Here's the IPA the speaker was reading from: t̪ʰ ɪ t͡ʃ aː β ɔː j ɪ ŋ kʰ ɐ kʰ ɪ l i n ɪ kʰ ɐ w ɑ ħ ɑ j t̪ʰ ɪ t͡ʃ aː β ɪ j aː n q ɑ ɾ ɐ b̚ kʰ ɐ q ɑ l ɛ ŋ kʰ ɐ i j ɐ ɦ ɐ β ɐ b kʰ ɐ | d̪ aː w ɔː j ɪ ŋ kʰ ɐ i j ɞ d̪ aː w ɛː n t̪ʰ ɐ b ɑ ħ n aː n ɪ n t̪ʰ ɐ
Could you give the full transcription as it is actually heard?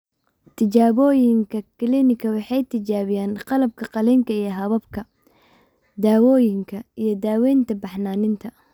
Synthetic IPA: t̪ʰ ɪ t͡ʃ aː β ɔː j ɪ ŋ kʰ ɐ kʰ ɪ l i n ɪ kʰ ɐ w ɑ ħ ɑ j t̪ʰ ɪ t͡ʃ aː β ɪ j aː n q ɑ l ɐ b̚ kʰ ɐ q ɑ l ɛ ŋ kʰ ɐ i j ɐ ɦ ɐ β ɐ b kʰ ɐ | d̪ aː w ɔː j ɪ ŋ kʰ ɐ i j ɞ d̪ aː w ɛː n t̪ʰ ɐ b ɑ ħ n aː n ɪ n t̪ʰ ɐ

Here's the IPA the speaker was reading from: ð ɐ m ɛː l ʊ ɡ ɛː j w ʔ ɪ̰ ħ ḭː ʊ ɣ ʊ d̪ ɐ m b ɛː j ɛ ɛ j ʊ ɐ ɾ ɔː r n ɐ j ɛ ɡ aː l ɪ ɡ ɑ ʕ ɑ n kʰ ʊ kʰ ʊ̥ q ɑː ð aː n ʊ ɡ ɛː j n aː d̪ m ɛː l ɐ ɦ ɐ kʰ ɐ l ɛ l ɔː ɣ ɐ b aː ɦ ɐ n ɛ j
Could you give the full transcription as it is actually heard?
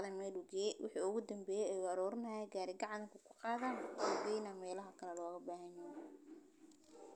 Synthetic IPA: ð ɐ m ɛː l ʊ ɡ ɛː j w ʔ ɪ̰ ħ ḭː ʊ ɣ ʊ d̪ ɐ m b ɛː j ɛ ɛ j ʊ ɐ ɾ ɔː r n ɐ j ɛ ɡ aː ɾ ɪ ɡ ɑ ʕ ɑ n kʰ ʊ kʰ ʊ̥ q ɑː ð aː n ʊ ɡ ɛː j n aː m ɛː l ɐ ɦ ɐ kʰ ɐ l ɛ l ɔː ɣ ɐ b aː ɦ ɐ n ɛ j

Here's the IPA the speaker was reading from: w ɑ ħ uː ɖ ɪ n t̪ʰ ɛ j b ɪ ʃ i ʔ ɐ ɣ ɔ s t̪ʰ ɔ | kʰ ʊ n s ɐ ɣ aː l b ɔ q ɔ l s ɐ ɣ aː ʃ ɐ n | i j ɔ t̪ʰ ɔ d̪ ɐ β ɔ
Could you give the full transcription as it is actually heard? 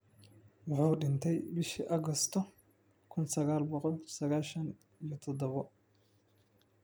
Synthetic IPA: w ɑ ħ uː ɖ ɪ n t̪ʰ ɛ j b ɪ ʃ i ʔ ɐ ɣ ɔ s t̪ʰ ɔ | kʰ ʊ n s ɐ ɣ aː l b ɔ q ɔ l s ɐ ɣ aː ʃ ɐ n | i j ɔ t̪ʰ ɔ d̪ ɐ β ɔ

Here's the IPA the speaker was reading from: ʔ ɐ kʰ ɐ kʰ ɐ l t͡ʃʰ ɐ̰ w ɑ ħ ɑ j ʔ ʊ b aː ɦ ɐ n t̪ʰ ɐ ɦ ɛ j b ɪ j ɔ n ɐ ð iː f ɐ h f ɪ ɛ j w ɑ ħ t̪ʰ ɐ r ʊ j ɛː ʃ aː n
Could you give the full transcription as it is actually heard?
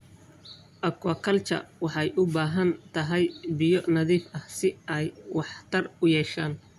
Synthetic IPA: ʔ ɐ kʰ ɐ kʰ ɐ l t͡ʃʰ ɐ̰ w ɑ ħ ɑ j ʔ ʊ b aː ɦ ɐ n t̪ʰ ɐ ɦ ɛ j b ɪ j ɔ n ɐ ð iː f ɐ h s ɪ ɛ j w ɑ ħ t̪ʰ ɐ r ʊ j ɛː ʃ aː n

